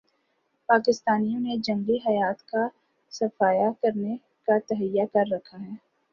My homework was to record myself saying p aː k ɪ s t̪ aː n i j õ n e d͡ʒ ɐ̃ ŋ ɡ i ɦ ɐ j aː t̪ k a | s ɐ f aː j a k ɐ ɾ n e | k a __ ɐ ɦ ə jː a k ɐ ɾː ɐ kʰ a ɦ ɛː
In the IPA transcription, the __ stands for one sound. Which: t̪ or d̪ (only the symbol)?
t̪